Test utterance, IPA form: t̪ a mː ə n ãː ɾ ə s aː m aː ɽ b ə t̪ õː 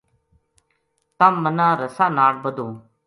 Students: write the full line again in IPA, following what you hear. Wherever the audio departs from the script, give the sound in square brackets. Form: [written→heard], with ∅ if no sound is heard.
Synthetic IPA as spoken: t̪ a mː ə n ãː ɾ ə s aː [m→n] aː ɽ b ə [t̪→d̪] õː